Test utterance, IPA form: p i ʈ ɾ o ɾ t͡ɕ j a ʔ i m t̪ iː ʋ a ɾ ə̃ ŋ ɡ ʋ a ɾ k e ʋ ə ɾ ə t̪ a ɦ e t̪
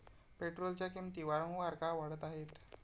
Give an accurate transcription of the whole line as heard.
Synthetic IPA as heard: p e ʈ ɾ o l t͡ɕ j a k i m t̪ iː ʋ a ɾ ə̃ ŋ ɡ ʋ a ɾ k a ʋ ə ɽ ə t̪ a ɦ e t̪